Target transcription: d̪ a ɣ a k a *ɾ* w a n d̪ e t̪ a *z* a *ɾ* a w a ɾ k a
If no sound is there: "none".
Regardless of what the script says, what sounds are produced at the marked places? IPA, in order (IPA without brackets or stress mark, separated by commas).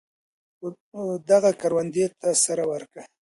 ɾ, s, ɾ